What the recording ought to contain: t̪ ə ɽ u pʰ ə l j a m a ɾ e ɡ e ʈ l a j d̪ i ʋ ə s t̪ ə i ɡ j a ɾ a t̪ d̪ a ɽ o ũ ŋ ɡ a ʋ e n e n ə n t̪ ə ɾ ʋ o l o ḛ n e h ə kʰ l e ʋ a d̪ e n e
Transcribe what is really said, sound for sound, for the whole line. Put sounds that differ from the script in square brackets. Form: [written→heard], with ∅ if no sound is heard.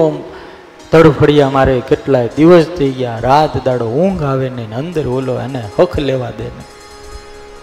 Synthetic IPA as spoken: t̪ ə ɽ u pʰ ə [l→ɽ] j a m a ɾ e [ɡ→k] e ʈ l a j d̪ i ʋ ə s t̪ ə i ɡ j a ɾ a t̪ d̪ a ɽ o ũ ŋ ɡ a ʋ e n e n ə n [t̪→d̪] ə ɾ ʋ o l o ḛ n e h ə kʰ l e ʋ a d̪ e n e